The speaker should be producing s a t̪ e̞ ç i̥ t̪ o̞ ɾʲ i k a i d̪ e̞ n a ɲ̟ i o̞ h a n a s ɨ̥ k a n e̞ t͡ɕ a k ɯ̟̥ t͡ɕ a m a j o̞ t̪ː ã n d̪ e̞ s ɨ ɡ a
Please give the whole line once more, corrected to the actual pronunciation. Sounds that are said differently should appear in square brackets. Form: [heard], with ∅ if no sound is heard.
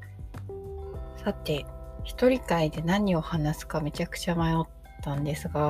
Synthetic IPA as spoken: s a t̪ e̞ ç i̥ t̪ o̞ ɾʲ i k a i d̪ e̞ n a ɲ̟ i o̞ h a n a s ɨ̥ k a [m] e̞ t͡ɕ a k ɯ̟̥ t͡ɕ a m a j o̞ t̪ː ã n d̪ e̞ s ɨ ɡ a